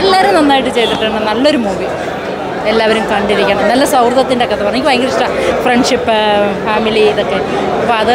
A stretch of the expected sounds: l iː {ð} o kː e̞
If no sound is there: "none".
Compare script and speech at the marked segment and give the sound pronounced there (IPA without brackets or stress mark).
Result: ð